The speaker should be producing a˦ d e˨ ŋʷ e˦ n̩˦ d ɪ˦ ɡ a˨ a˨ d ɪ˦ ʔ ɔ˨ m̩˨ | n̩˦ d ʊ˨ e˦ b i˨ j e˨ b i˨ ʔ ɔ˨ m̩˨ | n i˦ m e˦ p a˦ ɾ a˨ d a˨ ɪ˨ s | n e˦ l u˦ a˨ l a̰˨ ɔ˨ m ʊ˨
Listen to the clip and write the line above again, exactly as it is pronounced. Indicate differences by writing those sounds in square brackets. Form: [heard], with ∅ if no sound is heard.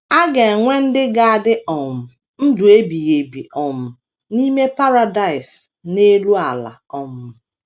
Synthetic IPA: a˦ [ɡ] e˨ ŋʷ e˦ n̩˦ d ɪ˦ ɡ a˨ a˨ d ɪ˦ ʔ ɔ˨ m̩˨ | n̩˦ d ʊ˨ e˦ b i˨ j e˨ b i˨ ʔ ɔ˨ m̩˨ | n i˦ m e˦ p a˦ ɾ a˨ d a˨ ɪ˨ s | n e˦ l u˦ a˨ l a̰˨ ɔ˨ m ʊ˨